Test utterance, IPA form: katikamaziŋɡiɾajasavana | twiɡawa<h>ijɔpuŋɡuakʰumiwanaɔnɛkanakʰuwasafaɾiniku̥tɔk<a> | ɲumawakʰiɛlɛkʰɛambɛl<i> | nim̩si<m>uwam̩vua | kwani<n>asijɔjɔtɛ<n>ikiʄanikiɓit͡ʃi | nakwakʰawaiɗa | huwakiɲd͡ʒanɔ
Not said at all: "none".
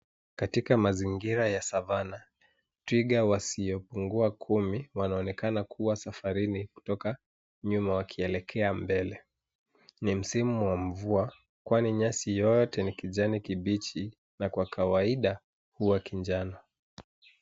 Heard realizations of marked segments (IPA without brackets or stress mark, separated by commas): s, a, ɛ, m, ɲ, n